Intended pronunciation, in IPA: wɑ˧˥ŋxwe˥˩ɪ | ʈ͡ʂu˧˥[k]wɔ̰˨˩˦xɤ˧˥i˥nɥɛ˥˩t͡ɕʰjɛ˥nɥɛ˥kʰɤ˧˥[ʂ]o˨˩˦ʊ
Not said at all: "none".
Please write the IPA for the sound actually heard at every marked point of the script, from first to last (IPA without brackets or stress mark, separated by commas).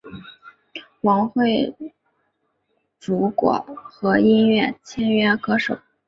k, ʂ